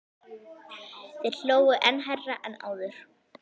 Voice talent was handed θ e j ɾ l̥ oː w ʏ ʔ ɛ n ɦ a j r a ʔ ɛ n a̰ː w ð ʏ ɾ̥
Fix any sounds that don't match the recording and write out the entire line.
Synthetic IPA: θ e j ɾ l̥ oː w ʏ ʔ ɛ n ɦ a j r a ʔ ɛ n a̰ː w ð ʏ ɾ̥